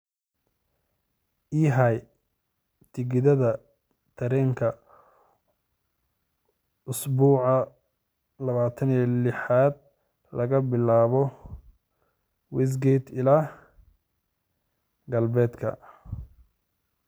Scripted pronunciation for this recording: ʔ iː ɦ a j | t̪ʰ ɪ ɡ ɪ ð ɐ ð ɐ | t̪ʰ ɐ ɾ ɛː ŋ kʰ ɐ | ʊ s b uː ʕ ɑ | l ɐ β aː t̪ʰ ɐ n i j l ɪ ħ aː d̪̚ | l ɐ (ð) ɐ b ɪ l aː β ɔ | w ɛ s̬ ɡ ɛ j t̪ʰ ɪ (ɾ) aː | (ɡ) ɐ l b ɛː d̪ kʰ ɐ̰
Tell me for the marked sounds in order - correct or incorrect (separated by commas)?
incorrect, incorrect, correct